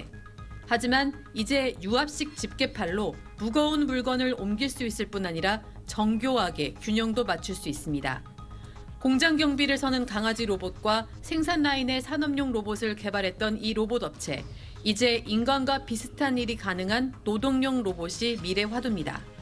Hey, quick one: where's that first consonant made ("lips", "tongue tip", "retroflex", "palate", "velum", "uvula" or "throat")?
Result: throat